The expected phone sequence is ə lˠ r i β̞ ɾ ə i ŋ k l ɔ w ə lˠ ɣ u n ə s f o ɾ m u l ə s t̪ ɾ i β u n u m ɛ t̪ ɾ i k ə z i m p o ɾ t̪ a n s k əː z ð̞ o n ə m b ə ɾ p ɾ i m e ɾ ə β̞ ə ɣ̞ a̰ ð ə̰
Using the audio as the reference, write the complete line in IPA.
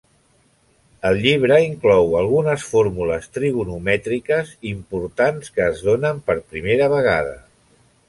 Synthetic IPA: ə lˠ ʎ i β̞ ɾ ə i ŋ k l ɔ w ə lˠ ɣ u n ə s f o ɾ m u l ə s t̪ ɾ i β u n u m ɛ t̪ ɾ i k ə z i m p u ɾ t̪ a n s k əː z ð̞ o n ə m p ə ɾ p ɾ i m e ɾ ə β̞ ə ɣ̞ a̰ ð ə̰